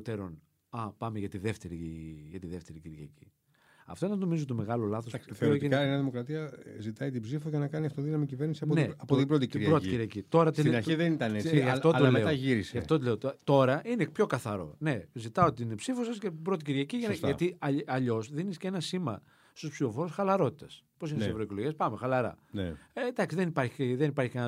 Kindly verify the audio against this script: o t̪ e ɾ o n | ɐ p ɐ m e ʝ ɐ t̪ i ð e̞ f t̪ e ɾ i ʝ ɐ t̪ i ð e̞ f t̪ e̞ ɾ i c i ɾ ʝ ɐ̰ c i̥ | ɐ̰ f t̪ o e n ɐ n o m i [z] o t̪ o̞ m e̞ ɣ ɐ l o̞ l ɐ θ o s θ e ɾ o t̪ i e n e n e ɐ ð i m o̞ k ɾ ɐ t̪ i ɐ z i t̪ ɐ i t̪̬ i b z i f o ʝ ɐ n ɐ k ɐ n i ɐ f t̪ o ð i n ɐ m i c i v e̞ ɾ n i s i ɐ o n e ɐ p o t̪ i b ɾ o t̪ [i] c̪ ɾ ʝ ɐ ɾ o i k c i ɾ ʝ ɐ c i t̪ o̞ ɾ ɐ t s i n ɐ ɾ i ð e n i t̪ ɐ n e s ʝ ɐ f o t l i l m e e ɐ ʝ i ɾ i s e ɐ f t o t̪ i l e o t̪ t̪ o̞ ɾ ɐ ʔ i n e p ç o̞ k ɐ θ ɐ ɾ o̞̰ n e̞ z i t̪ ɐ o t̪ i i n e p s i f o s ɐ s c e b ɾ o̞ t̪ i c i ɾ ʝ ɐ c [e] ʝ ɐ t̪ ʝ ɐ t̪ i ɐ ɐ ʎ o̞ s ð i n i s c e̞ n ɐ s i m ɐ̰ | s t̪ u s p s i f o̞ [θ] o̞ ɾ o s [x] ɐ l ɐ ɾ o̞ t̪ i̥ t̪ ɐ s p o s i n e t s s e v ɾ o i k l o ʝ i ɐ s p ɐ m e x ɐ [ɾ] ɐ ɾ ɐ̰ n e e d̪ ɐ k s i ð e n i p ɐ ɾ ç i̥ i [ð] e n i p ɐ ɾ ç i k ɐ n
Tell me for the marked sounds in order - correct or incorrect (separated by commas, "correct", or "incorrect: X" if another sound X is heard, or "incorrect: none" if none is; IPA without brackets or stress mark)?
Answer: correct, correct, incorrect: i, incorrect: f, correct, incorrect: l, correct